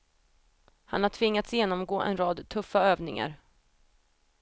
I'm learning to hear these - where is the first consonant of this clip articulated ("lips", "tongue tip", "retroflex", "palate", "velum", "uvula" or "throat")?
throat